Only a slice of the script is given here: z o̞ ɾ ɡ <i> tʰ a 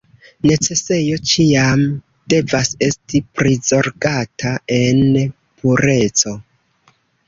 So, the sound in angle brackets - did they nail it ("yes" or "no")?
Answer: no